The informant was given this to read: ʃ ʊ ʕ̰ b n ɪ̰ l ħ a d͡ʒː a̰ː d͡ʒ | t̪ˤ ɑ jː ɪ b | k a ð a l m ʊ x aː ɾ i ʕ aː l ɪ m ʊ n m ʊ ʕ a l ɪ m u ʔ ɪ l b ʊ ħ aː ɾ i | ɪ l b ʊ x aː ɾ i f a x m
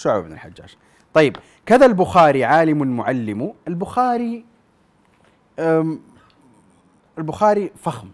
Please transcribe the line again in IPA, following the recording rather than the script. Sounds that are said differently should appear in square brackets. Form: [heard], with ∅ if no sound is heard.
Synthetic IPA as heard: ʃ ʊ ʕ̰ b n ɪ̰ l ħ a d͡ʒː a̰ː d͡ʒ | t̪ˤ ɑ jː ɪ b | k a ð a l [b] ʊ x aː ɾ i ʕ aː l ɪ m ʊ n m ʊ ʕ a [lː] ɪ m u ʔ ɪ l b ʊ [x] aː ɾ i | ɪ l b ʊ x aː ɾ i f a x m